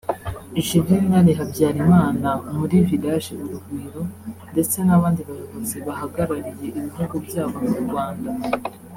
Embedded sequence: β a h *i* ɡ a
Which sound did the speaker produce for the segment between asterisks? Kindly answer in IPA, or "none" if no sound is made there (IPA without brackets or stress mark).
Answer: a